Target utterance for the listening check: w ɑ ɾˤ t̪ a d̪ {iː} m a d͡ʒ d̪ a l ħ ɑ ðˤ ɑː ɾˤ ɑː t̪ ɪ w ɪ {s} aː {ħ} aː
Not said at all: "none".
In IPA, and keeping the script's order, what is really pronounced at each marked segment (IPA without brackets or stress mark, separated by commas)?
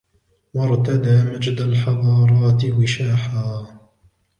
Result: aː, ʃ, ħ